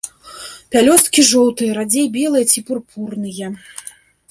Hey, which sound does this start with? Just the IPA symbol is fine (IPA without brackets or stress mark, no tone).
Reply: pʲ